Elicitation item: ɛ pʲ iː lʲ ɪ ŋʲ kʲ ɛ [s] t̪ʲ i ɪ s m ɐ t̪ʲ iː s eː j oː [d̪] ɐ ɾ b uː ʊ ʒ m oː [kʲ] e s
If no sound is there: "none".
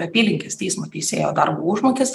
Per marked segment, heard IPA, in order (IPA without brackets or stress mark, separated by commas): s, d̪, kʲ